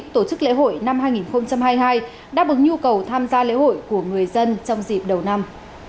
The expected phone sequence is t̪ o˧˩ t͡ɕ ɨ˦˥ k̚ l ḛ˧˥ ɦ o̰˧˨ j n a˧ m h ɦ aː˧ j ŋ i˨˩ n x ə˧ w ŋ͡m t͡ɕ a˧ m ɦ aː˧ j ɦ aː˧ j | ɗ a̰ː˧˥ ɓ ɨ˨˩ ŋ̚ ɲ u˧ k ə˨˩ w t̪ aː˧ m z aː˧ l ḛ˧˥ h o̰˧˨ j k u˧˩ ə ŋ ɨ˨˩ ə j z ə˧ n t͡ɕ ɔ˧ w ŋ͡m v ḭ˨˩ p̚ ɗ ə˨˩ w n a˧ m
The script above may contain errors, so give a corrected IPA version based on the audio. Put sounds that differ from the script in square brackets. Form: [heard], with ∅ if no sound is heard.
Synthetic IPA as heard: t̪ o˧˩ t͡ɕ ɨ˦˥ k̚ l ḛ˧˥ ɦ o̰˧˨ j n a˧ m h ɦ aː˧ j ŋ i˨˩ n x ə˧ w ŋ͡m t͡ɕ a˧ m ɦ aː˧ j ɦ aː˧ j | ɗ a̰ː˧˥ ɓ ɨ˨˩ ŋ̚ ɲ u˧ k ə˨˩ w [t̪ʰ] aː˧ m z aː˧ l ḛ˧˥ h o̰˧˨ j k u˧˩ ə ŋ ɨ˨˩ ə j z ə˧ n t͡ɕ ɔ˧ w ŋ͡m [z] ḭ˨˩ p̚ ɗ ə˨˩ w n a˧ m